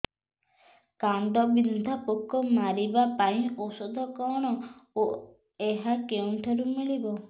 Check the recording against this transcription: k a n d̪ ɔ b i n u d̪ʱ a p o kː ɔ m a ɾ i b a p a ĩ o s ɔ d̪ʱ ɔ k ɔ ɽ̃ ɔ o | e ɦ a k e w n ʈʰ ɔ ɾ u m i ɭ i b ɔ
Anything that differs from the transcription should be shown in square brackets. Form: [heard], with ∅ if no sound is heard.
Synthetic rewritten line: k a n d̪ ɔ b i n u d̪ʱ a p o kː ɔ m a ɾ i b a p a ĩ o s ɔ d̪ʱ ɔ k ɔ ɽ̃ ɔ o | e ɦ a k e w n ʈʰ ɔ ɾ u m i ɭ i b ɔ